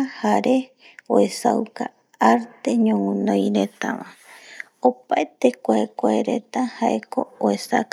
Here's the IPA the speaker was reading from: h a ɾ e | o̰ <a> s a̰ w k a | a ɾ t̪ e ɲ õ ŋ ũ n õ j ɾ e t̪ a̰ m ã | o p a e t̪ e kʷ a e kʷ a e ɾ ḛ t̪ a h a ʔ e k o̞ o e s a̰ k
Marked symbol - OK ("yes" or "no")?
no